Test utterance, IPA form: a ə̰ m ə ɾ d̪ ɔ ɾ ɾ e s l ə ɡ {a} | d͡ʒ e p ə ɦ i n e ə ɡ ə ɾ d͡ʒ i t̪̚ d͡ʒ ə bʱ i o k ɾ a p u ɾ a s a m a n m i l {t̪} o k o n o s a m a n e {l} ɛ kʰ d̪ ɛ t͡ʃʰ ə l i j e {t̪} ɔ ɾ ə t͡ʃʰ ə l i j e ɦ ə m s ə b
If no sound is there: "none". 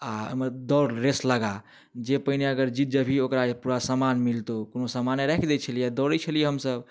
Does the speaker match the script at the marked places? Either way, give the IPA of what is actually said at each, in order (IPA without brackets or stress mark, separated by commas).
a, t̪, ɾ, d̪